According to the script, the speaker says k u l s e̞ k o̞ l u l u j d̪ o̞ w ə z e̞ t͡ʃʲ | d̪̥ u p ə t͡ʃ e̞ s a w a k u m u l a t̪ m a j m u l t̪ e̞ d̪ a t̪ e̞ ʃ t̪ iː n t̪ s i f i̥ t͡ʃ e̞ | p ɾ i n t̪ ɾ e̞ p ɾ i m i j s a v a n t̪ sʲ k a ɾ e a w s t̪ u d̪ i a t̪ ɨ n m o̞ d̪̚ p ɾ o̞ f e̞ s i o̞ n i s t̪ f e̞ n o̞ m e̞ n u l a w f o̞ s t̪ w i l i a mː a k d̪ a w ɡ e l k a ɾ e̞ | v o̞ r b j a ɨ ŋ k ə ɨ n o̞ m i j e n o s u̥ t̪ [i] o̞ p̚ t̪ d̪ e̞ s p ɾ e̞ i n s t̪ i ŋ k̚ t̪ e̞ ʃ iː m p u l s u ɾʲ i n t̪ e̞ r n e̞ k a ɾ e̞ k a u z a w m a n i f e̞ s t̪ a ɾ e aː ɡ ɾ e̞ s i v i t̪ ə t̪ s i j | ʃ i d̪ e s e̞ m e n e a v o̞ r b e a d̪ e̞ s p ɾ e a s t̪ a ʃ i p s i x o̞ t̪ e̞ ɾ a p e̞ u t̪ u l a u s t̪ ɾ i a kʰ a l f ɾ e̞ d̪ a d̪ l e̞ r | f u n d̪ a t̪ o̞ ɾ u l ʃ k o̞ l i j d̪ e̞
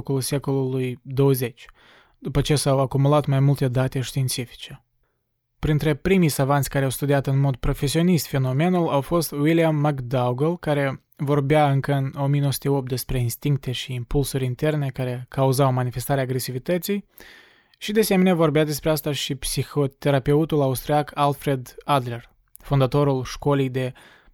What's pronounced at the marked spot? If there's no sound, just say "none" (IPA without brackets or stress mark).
e